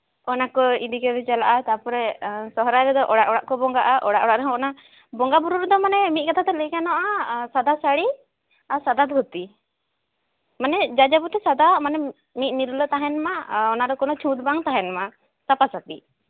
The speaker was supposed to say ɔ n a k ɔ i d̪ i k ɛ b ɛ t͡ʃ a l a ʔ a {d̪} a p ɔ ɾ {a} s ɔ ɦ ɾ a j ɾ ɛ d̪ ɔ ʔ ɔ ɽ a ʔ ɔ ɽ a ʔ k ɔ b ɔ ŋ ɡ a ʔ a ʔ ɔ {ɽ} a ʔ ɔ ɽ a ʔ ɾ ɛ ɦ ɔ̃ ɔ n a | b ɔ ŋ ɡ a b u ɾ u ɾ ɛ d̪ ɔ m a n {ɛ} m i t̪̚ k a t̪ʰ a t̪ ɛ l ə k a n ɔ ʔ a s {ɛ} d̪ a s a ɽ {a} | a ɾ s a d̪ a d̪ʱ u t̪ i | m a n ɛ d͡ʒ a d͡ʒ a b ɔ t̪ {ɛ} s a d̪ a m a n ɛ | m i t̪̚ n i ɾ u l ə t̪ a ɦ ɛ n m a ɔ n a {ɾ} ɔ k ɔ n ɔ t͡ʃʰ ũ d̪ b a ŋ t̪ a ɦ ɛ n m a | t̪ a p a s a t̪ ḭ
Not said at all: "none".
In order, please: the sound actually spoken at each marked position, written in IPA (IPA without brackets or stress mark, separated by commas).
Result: t̪, ɛ, ɽ, ɛ, a, i, ɛ, ɾ